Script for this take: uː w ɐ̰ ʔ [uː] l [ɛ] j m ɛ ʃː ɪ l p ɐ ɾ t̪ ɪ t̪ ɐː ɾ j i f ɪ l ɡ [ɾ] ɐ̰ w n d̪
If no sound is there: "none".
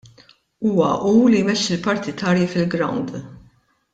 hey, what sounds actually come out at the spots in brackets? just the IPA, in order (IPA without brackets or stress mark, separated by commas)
uː, i, ɾ